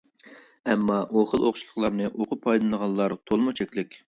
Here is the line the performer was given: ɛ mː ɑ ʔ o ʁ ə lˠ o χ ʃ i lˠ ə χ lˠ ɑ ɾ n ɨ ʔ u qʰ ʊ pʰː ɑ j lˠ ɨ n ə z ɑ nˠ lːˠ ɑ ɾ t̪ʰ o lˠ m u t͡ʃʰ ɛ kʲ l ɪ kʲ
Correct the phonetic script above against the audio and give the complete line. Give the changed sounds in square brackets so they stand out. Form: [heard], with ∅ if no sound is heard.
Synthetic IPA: ɛ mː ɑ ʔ o [χ] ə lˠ o χ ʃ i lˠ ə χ lˠ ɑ ɾ n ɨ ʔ [o] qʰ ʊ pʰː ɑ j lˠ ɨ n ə [ʁ] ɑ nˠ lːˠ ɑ ɾ t̪ʰ o lˠ m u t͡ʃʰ ɛ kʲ l ɪ kʲ